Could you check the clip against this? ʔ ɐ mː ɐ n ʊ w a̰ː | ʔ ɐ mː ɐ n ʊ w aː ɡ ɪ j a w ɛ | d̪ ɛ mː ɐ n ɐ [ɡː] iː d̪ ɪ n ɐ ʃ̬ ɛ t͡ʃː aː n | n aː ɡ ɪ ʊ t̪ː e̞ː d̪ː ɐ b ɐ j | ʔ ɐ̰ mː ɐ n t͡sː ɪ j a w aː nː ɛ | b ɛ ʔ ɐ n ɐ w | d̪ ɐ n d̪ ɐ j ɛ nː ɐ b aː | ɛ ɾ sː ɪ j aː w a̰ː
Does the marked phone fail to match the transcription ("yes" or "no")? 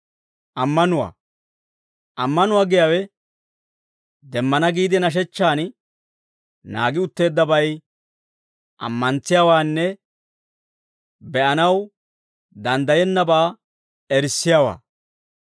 yes